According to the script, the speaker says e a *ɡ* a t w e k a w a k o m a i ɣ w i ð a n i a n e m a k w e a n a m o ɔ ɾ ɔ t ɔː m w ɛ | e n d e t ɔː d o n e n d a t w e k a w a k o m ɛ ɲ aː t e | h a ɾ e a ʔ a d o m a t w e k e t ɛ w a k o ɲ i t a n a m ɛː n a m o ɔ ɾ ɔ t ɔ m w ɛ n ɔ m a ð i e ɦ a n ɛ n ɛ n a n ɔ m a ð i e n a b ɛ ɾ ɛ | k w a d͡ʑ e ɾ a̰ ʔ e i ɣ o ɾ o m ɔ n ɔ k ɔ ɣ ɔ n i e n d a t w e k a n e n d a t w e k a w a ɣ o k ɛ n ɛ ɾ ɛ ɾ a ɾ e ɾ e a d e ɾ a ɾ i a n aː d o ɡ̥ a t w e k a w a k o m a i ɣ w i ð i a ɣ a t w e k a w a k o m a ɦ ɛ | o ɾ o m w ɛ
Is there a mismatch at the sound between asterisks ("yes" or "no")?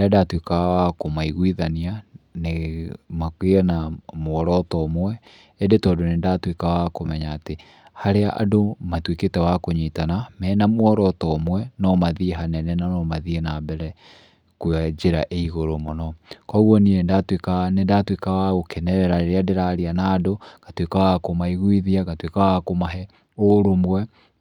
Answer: yes